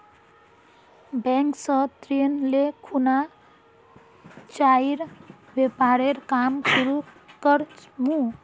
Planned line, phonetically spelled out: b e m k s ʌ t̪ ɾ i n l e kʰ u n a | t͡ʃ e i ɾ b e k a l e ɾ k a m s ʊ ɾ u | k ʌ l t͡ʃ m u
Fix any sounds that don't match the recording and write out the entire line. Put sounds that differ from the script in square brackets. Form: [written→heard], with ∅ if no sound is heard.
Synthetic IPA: b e [m→ŋ] k s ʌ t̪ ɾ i n l e kʰ u n a | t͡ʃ [e→a] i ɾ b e [k→p] a [l→ɾ] e ɾ k a m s [ʊ→u] ɾ u | k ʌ [l→ɾ] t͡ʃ m u